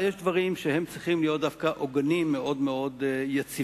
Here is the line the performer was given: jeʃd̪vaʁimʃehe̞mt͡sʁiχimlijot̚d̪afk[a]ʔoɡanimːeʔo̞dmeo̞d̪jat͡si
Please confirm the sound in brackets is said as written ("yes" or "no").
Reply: yes